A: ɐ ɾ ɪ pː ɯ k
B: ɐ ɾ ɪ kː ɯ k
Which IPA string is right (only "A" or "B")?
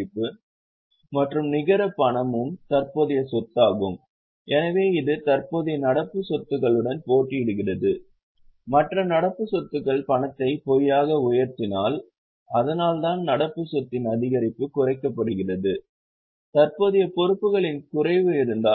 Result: A